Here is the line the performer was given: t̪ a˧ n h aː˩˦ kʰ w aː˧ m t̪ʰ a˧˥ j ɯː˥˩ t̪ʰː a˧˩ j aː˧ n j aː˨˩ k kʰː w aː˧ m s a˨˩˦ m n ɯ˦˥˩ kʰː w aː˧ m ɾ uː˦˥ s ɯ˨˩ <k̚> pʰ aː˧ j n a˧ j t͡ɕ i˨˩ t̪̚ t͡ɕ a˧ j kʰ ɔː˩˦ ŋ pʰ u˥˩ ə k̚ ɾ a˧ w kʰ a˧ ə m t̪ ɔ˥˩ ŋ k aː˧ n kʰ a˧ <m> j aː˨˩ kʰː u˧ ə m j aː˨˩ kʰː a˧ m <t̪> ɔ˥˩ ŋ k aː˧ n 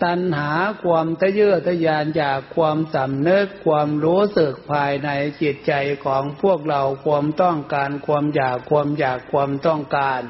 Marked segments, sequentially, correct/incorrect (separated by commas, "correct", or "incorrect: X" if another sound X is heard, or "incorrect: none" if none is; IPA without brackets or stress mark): correct, correct, correct